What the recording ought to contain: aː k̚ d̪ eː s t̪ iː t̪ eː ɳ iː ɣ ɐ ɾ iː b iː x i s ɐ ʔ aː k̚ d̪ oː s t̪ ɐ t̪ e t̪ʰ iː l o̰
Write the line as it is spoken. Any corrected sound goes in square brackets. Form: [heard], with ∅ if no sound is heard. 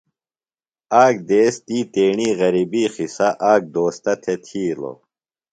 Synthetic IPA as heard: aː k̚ d̪ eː s t̪ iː t̪ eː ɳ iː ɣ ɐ ɾ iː b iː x i s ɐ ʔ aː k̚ d̪ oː s t̪ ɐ [t̪ʰ] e t̪ʰ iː l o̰